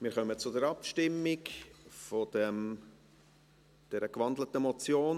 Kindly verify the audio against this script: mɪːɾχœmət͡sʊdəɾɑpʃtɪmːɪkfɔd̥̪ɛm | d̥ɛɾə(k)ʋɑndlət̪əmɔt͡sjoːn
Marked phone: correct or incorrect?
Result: correct